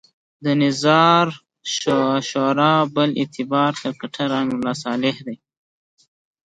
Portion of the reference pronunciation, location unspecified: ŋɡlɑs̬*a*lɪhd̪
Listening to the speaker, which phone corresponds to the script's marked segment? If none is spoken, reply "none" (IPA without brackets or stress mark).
ɑ